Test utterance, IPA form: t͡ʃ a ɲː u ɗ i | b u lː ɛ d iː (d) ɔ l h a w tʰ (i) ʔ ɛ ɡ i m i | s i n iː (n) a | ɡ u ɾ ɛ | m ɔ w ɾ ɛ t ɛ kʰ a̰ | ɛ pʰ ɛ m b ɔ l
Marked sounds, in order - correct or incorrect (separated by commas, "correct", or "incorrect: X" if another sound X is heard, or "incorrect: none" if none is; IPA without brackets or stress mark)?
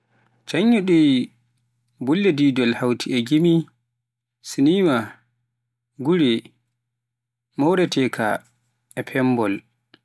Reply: correct, correct, incorrect: m